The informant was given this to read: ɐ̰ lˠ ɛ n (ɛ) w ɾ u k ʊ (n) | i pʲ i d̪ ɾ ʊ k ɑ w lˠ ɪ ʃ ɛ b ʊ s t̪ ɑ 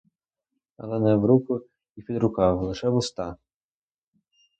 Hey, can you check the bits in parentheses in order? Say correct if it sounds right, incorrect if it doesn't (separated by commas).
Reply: correct, incorrect